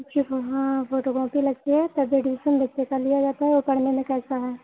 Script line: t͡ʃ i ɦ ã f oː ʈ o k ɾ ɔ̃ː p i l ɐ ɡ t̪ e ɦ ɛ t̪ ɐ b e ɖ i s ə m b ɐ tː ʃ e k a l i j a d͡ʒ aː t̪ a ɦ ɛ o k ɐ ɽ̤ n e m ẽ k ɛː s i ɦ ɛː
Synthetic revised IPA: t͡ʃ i ɦ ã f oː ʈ o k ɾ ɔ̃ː p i l ɐ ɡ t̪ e ɦ ɛ t̪ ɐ b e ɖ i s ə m b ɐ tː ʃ e k a l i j a d͡ʒ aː t̪ a ɦ ɛ o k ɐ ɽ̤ n e m ẽ k ɛː s a ɦ ɛː